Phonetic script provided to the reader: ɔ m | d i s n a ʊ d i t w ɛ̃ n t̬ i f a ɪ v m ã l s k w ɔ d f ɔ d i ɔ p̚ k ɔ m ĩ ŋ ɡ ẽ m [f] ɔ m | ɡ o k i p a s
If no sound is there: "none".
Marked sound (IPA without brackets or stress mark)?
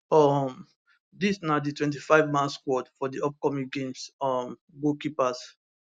s